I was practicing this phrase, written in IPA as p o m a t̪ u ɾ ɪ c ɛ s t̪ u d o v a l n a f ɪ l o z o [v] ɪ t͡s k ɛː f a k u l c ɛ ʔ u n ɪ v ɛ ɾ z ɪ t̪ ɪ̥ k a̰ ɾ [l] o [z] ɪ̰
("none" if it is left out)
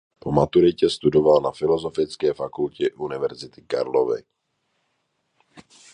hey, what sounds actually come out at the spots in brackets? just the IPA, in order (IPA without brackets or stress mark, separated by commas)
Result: f, l, v